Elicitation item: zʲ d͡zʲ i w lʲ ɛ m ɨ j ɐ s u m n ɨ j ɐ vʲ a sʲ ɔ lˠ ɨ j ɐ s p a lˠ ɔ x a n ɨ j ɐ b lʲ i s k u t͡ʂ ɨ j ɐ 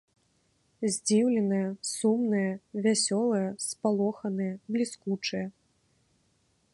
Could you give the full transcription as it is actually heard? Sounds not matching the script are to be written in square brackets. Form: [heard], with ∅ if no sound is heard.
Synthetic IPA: zʲ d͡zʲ i w lʲ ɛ [n] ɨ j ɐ s u m n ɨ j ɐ vʲ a sʲ ɔ lˠ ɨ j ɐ s p a lˠ ɔ x [ɐ] n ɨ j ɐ b lʲ i s k u t͡ʂ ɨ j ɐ